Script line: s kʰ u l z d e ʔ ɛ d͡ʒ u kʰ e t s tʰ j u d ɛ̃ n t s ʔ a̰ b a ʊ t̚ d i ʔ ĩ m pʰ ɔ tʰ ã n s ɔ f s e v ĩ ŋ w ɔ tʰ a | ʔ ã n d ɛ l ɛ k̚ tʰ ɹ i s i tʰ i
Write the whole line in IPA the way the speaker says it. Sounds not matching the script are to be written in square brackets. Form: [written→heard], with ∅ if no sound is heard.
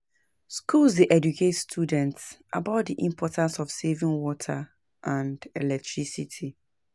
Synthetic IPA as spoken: s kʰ u l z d e ʔ ɛ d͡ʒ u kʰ e t s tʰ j u d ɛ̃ n t s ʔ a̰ b a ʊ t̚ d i ʔ ĩ m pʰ ɔ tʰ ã n s ɔ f s e v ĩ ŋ w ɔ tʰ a | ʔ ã n d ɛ l ɛ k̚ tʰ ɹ i s i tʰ i